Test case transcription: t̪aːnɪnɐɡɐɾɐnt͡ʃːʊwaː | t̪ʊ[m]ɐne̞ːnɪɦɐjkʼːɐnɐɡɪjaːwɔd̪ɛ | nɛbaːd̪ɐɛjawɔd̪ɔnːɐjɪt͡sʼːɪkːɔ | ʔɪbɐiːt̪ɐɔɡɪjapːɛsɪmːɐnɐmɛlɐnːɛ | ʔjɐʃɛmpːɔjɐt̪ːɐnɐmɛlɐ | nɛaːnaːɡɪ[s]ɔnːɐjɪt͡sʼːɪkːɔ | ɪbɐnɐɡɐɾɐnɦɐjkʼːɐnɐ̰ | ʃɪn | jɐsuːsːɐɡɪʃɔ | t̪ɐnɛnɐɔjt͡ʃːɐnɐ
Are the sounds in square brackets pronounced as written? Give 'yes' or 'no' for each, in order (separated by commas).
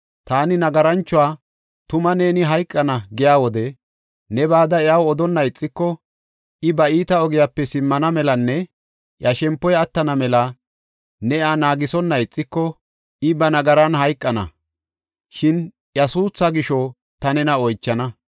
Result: yes, yes